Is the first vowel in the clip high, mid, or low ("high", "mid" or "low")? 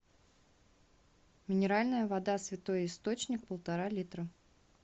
high